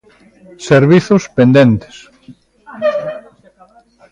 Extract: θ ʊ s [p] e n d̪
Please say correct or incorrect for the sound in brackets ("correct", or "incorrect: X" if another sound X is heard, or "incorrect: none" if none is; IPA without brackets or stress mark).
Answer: correct